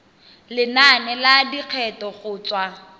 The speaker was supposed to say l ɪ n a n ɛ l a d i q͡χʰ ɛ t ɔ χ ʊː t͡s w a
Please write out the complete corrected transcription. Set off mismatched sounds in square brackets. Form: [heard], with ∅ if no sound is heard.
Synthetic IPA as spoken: l ɪ n a n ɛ l a d i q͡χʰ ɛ t ɔ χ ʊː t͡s w a